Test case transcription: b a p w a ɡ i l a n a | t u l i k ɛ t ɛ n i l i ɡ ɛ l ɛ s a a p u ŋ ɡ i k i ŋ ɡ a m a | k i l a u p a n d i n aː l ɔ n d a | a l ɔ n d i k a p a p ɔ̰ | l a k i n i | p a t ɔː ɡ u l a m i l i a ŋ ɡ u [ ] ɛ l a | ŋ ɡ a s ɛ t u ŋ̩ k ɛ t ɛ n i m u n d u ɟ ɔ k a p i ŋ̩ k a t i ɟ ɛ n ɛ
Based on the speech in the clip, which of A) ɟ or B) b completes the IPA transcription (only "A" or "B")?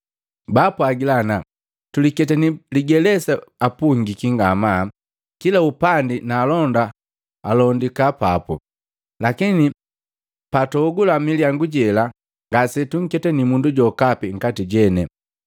A